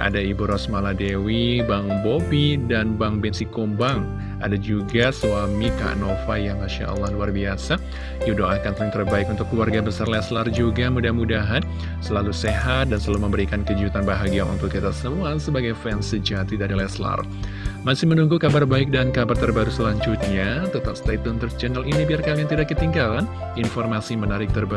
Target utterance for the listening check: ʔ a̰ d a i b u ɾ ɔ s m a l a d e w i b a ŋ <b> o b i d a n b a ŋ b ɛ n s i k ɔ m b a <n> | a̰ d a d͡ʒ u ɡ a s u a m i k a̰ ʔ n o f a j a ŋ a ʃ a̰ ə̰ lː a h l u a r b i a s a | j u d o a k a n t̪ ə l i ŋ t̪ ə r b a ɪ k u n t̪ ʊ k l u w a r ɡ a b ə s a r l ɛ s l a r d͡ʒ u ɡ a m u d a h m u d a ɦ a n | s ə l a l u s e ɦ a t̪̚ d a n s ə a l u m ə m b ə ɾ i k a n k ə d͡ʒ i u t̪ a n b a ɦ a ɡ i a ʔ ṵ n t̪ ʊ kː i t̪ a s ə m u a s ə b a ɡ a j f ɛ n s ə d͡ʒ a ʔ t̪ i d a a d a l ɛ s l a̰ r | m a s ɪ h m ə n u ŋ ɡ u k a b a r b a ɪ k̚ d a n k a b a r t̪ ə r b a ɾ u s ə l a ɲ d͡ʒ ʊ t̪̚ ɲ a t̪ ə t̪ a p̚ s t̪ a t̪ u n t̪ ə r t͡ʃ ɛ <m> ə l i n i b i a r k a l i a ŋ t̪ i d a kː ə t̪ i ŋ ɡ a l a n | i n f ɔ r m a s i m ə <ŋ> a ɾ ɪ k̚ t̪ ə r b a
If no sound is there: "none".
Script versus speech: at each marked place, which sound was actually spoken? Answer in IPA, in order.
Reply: b, ŋ, n, n

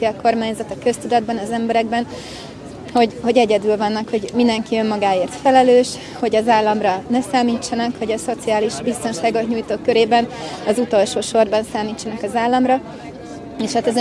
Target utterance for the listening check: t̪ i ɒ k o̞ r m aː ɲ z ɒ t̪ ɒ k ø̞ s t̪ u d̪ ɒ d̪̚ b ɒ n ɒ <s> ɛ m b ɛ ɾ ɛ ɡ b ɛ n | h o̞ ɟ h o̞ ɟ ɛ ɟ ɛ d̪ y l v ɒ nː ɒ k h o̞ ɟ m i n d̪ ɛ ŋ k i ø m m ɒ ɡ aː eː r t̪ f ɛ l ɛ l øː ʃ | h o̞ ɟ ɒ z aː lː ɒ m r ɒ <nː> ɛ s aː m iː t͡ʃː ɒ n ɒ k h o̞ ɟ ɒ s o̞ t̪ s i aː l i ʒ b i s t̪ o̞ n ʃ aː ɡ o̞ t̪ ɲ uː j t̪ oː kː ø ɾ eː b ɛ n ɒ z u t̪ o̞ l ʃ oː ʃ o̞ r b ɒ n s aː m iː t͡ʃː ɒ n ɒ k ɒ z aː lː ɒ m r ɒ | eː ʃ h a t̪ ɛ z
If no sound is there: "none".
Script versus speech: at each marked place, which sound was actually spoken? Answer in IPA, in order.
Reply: z, n

